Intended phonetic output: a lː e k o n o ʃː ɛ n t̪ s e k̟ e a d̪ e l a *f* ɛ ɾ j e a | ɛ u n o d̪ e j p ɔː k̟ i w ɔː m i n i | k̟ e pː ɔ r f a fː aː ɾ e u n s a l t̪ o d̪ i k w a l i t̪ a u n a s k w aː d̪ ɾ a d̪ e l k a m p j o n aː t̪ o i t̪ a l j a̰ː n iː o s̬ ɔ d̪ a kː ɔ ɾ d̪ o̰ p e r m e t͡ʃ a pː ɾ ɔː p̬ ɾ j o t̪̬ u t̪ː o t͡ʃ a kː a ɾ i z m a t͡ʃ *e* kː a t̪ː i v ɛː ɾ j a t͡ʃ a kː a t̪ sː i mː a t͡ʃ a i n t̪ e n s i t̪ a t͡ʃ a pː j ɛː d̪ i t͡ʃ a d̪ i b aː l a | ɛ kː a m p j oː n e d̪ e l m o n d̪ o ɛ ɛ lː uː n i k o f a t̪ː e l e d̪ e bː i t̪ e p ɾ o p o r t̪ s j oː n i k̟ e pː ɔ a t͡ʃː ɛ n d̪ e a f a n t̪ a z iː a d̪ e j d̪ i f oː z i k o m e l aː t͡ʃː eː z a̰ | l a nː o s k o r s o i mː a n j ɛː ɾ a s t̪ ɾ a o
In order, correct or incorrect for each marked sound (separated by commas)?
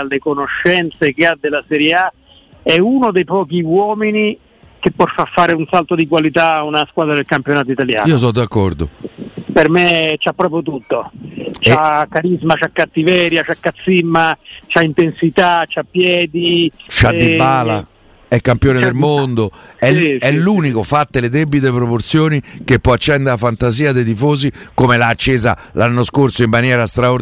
incorrect, incorrect